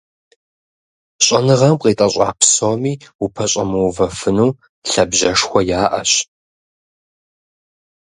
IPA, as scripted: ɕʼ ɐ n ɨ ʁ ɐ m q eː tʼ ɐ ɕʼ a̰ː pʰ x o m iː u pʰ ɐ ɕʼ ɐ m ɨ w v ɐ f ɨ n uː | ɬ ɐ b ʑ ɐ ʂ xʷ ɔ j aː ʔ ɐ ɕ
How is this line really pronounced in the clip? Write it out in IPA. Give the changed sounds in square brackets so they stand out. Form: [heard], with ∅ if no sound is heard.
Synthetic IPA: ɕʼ ɐ n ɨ ʁ ɐ m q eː tʼ ɐ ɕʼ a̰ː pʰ [s] o m iː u pʰ ɐ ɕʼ ɐ m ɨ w v ɐ f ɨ n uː | ɬ ɐ b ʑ ɐ ʂ xʷ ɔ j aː ʔ ɐ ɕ